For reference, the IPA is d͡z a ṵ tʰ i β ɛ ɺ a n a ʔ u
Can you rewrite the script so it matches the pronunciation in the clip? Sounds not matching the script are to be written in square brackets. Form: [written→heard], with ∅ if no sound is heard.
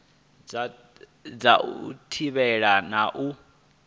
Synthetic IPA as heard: d͡z a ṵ tʰ i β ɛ ɺ a n a ʔ u